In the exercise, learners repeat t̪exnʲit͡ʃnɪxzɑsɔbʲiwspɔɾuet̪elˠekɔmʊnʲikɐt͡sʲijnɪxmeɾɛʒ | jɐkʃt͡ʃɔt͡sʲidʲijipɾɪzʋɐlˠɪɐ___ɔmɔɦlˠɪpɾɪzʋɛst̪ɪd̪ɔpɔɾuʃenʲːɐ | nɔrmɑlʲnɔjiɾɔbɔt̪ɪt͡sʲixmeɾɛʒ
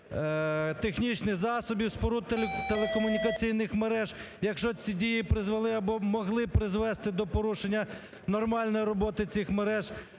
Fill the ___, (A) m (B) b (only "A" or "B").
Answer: B